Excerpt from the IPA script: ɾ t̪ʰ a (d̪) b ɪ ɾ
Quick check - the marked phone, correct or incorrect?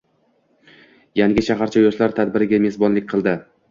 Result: correct